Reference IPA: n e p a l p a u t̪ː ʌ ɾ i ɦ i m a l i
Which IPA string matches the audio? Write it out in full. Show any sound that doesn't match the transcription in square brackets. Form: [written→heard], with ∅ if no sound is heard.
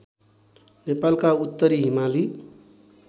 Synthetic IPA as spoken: n e p a l [p→k] a u t̪ː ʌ ɾ i ɦ i m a l i